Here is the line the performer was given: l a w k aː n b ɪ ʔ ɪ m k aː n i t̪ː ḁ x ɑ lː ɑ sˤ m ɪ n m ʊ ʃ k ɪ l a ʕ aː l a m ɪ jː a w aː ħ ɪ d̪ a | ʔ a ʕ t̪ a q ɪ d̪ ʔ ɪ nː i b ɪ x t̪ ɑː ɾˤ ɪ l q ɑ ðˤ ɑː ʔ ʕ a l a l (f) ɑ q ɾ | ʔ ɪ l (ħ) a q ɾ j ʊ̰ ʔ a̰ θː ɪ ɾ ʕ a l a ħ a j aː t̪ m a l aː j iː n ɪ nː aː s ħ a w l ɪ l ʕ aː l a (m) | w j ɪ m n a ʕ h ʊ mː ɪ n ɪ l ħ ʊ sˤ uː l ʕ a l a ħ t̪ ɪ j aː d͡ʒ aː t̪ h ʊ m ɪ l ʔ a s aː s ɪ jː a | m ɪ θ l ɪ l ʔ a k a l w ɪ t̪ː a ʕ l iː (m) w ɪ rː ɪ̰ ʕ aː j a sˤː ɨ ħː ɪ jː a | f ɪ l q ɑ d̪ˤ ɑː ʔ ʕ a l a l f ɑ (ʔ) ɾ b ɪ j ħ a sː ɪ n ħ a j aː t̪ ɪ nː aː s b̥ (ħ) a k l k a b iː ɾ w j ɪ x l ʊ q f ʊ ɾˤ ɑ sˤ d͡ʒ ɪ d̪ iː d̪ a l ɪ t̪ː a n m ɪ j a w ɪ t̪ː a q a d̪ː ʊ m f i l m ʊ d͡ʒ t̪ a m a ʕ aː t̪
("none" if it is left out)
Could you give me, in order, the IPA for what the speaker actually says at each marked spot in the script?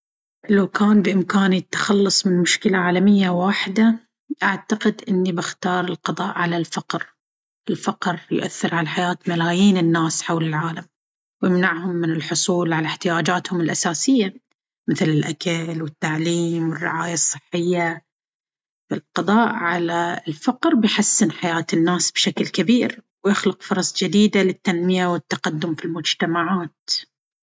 f, f, m, m, q, ʃ

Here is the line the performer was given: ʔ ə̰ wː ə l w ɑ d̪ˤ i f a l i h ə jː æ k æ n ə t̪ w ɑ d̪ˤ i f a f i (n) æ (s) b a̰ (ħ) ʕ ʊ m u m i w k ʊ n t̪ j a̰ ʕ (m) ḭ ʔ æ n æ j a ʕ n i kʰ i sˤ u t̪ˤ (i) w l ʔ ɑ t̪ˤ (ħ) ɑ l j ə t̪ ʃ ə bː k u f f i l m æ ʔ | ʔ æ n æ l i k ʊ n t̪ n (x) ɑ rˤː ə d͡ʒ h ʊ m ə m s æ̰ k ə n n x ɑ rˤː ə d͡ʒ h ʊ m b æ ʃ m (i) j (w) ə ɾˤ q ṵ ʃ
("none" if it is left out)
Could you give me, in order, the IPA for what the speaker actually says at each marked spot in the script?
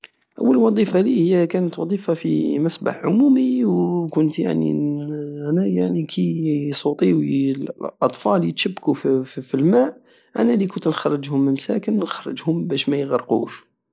m, s, ħ, n, i, f, x, æ, ɣ

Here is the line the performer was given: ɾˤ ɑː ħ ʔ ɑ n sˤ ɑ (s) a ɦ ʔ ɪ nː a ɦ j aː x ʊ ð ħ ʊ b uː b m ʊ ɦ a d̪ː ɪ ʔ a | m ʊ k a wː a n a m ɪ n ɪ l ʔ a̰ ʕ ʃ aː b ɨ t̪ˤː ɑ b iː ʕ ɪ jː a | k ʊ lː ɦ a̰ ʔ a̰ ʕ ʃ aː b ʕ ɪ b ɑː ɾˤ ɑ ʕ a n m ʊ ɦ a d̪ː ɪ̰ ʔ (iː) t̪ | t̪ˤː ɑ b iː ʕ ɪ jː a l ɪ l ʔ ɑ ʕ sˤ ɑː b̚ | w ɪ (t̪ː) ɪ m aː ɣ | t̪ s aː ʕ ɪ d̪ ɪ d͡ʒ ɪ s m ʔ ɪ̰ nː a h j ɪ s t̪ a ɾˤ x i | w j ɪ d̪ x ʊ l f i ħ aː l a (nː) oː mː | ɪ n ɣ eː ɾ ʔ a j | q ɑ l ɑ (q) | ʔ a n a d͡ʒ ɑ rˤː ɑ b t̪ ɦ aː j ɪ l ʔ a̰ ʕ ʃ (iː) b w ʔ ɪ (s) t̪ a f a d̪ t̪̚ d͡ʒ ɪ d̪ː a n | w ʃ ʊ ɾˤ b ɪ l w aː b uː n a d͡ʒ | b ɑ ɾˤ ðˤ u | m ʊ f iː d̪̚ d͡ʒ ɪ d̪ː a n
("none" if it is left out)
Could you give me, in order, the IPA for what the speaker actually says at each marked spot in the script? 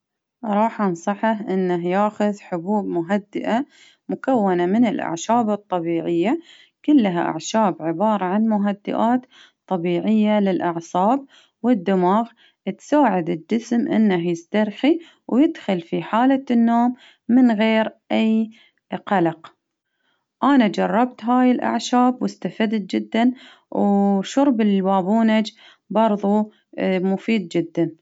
ħ, aː, d̪ː, nː, q, aː, s

